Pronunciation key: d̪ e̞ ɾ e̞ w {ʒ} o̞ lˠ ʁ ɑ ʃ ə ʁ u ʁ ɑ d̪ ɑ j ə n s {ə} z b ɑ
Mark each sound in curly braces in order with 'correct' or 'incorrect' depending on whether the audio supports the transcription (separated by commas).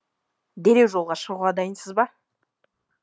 correct, correct